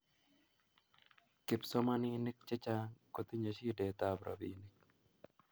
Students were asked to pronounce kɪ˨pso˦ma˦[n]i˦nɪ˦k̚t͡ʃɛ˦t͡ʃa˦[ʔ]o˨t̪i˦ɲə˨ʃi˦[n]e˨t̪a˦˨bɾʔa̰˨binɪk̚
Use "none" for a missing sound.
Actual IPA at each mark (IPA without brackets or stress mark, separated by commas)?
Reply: n, k, d